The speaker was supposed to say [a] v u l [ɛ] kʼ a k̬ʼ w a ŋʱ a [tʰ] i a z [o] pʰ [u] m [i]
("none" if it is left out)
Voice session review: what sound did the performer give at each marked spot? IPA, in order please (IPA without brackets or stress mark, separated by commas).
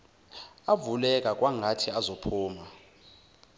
a, ɛ, tʰ, o, uː, a